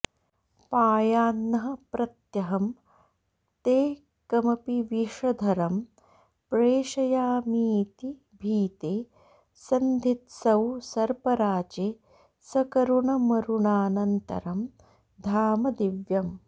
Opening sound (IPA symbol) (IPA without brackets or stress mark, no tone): p